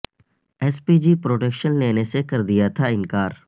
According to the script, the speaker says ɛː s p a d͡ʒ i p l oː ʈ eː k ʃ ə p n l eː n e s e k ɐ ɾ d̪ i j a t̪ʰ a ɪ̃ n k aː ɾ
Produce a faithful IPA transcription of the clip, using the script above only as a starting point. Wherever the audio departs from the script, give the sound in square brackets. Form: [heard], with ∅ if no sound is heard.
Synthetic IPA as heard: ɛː s p [i] d͡ʒ i p [ɾ] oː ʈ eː k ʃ ə [∅] n l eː n e s e k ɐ ɾ d̪ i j a t̪ʰ a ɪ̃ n k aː ɾ